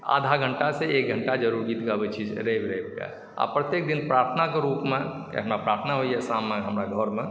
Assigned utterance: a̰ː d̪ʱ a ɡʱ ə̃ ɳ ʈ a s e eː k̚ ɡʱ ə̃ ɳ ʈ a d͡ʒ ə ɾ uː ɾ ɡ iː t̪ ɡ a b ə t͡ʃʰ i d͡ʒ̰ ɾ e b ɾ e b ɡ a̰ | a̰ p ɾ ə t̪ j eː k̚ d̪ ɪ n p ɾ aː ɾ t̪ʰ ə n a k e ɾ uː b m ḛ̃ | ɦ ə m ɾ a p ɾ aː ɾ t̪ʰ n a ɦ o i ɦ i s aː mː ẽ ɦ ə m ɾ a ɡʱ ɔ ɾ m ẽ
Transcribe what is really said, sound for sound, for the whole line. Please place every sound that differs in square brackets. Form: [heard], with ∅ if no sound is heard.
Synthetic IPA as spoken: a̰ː d̪ʱ a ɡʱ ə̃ ɳ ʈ a s e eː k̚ ɡʱ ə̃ ɳ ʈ a d͡ʒ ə ɾ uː ɾ ɡ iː t̪ ɡ a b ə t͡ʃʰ i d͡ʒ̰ ɾ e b ɾ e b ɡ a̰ | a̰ p ɾ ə t̪ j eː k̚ d̪ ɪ n p ɾ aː ɾ t̪ʰ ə n a k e ɾ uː [p] m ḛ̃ | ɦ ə m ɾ a p ɾ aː ɾ t̪ʰ n a ɦ o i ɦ [ɛ] s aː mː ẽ ɦ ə m ɾ a ɡʱ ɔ ɾ m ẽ